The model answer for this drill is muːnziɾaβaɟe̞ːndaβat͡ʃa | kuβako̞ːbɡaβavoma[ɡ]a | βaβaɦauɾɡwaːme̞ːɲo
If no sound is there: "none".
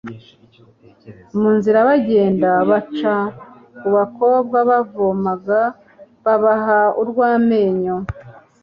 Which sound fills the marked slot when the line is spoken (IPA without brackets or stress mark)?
ɡ